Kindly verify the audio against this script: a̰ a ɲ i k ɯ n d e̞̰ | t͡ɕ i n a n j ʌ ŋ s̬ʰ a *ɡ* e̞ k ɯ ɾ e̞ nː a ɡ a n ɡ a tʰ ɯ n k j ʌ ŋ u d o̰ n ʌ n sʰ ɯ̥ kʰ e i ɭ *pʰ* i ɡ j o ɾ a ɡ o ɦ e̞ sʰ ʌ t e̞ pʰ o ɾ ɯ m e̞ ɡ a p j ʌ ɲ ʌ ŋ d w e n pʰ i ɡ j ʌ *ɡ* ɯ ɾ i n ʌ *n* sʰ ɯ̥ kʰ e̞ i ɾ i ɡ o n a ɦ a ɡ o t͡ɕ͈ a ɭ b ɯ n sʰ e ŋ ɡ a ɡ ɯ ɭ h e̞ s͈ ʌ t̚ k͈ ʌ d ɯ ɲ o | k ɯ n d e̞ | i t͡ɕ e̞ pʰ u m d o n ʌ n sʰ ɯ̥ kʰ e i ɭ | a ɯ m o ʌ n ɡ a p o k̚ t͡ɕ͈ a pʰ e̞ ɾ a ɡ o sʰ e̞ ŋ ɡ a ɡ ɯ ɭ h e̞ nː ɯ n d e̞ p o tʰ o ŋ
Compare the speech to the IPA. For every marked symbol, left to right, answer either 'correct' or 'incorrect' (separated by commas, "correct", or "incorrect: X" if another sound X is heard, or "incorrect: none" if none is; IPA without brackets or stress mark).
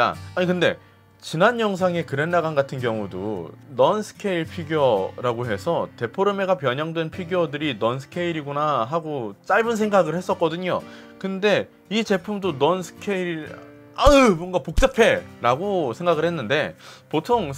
incorrect: ŋ, correct, incorrect: d, correct